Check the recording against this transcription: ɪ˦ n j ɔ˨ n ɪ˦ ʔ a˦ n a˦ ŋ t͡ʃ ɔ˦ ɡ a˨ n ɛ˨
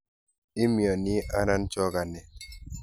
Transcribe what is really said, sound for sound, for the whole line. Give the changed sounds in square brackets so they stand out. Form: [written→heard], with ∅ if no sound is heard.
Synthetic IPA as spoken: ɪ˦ [n→m] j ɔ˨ n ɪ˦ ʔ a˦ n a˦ [ŋ→n] t͡ʃ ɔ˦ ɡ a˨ n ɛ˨